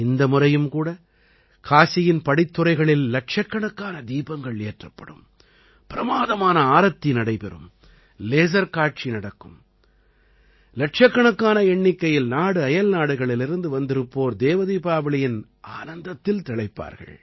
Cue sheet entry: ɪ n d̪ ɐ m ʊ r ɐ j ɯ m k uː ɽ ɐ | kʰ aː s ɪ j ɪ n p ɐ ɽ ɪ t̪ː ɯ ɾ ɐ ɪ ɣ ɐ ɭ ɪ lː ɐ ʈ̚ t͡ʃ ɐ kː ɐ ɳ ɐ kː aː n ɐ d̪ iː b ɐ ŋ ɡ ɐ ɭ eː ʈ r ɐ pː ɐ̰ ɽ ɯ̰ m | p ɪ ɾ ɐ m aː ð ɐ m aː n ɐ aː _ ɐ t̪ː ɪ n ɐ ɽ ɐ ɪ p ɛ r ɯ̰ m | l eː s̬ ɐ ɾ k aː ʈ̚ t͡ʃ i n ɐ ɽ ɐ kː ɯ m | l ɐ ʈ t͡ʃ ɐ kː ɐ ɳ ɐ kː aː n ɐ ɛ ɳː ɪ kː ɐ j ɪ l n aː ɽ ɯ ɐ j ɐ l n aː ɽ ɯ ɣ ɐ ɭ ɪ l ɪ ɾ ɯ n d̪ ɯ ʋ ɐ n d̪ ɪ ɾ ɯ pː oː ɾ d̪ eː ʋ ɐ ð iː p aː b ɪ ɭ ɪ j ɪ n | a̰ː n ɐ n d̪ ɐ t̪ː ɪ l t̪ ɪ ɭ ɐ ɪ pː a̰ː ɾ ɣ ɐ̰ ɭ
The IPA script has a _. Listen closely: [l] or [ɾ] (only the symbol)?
ɾ